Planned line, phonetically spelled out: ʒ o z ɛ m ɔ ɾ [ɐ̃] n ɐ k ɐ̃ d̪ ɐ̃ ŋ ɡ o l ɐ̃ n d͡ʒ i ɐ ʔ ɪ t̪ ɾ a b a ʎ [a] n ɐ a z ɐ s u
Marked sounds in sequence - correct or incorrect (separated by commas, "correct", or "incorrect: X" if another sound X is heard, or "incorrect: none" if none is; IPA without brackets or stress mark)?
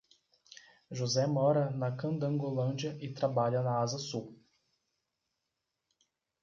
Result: incorrect: ɐ, incorrect: ɐ